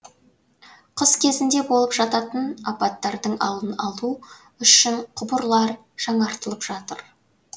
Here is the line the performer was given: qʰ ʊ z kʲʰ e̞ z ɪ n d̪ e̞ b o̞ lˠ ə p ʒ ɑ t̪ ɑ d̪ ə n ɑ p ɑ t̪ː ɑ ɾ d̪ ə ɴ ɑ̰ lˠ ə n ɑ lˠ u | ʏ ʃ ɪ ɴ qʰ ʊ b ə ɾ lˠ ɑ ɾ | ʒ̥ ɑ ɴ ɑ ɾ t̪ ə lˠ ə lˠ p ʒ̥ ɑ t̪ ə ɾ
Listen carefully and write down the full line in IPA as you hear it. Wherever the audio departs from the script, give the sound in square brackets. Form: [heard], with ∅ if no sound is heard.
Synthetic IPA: qʰ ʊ z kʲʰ e̞ z ɪ n d̪ e̞ b o̞ lˠ ə p ʒ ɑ t̪ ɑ [t̪] ə n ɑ p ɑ t̪ː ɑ ɾ d̪ ə ɴ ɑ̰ lˠ ə n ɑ lˠ u | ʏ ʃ ɪ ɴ qʰ ʊ b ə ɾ lˠ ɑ ɾ | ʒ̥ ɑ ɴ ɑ ɾ t̪ ə lˠ ə [∅] p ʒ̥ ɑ t̪ ə ɾ